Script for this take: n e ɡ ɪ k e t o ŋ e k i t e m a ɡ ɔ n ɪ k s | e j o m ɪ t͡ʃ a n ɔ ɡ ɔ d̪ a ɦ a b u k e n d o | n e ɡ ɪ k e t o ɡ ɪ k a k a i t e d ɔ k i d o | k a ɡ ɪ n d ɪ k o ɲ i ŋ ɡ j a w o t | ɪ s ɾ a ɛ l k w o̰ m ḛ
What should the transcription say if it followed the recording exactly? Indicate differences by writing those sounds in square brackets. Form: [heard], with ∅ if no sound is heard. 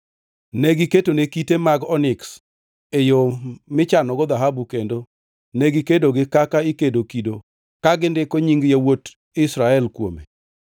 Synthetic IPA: n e ɡ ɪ k e t o [n] e k i t e m a ɡ ɔ n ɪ k s | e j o m ɪ t͡ʃ a n ɔ ɡ ɔ d̪ a ɦ a b u k e n d o | n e ɡ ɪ k e [d] o ɡ ɪ k a k a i [k] e d [o] k i d o | k a ɡ ɪ n d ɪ k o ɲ i ŋ ɡ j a w o t | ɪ s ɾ a ɛ l k w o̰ m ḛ